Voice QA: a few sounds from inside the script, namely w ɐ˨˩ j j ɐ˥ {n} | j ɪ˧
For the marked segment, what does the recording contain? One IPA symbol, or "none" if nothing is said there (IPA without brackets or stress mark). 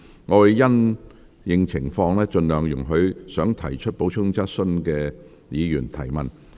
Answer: n